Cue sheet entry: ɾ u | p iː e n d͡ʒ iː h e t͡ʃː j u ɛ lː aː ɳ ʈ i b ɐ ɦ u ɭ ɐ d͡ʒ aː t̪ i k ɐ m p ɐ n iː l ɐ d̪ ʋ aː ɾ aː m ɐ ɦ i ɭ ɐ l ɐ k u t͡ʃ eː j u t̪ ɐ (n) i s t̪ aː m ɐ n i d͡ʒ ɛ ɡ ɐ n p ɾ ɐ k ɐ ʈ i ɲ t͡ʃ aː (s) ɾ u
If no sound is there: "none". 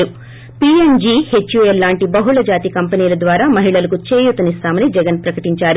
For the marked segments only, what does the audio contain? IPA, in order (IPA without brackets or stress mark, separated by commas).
n, none